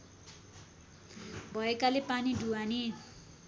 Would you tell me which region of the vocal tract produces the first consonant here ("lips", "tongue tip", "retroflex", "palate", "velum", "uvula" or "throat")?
lips